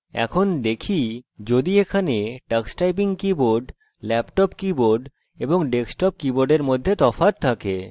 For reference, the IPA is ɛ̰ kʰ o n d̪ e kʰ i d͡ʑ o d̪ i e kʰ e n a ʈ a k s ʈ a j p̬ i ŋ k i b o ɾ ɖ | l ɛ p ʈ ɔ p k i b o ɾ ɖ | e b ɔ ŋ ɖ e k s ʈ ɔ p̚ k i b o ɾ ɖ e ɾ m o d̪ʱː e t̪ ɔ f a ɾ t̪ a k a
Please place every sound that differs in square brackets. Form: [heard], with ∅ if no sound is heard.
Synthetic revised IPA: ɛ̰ kʰ o n d̪ e kʰ i d͡ʑ o d̪ i e kʰ [a] n [e] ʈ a k s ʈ a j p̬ i ŋ k i b o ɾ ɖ | l ɛ p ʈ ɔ p k i b o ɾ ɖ | e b [o] ŋ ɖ e k s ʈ ɔ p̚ k i b o ɾ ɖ e ɾ m o d̪ʱː e t̪ ɔ f a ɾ [t̪ʰ] a k [e]